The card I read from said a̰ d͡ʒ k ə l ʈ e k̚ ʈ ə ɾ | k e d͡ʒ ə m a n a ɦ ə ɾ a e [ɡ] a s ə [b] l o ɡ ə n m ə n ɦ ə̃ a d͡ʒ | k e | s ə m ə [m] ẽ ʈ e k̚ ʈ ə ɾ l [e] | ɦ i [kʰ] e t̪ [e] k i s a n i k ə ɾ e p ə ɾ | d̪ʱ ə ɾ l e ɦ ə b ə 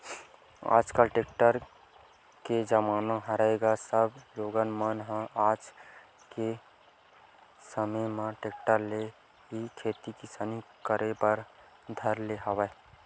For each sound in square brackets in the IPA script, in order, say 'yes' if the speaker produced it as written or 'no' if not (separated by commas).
yes, yes, yes, yes, yes, no